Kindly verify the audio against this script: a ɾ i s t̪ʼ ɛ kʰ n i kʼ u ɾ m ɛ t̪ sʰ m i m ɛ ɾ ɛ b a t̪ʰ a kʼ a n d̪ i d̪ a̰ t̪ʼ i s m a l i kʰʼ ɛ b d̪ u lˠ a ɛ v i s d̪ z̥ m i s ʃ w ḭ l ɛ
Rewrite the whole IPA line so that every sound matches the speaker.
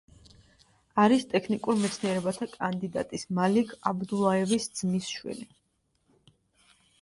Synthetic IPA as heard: a ɾ i s t̪ʼ ɛ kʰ n i kʼ u ɾ m ɛ t̪ sʰ n i ɛ ɾ ɛ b a t̪ʰ a kʼ a n d̪ i d̪ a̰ t̪ʼ i s m a l i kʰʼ a b d̪ u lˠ a ɛ v i s d̪ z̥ m i s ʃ w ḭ l i